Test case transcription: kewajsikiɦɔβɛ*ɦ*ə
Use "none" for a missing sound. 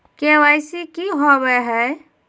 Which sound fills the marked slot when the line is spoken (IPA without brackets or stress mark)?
ɦ